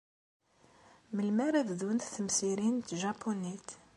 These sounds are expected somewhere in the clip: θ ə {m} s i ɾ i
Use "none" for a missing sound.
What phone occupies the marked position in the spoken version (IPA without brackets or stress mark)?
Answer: m